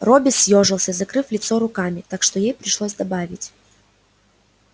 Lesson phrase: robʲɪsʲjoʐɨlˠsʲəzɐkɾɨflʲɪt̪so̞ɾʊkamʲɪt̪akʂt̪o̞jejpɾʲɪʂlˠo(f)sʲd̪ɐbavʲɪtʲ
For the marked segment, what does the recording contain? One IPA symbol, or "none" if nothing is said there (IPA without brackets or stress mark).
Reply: none